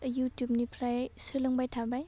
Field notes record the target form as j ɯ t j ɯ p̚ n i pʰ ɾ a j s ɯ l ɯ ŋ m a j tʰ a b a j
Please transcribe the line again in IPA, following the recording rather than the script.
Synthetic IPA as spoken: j u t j u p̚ n i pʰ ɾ a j s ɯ l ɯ ŋ b a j tʰ a b a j